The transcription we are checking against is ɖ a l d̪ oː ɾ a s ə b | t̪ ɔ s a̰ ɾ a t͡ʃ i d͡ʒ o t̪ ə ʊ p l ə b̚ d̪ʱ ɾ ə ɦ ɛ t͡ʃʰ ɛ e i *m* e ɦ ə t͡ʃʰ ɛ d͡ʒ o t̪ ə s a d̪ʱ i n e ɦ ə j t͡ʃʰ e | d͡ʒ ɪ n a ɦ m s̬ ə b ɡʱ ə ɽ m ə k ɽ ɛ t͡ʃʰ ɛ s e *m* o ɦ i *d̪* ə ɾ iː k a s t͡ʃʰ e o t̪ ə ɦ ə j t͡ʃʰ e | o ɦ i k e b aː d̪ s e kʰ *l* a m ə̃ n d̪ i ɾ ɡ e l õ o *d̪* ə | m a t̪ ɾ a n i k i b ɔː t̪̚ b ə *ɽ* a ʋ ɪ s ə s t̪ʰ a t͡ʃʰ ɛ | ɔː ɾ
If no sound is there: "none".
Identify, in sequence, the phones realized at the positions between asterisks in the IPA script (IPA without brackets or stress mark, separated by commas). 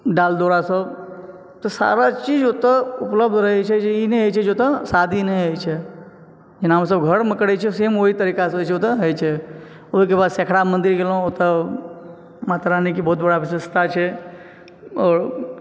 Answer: n, m, t̪, ɽ, t̪, ɽ